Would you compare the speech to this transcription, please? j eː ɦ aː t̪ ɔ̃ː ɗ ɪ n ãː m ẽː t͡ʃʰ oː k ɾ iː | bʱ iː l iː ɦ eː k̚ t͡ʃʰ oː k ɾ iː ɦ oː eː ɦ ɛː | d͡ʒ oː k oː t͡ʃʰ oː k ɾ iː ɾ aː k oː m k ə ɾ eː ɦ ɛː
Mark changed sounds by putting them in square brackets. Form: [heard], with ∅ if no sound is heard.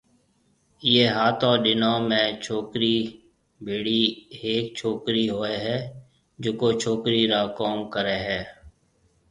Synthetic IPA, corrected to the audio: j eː ɦ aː t̪ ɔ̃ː ɗ ɪ n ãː m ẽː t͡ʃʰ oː k ɾ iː | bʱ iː [ɽ] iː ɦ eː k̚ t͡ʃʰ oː k ɾ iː ɦ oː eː ɦ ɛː | d͡ʒ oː k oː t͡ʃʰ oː k ɾ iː ɾ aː k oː m k ə ɾ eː ɦ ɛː